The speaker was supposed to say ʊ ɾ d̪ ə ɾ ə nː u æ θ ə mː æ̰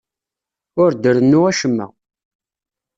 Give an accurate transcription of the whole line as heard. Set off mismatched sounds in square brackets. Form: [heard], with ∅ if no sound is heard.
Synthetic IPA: ʊ ɾ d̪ ə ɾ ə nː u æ [ʃ] ə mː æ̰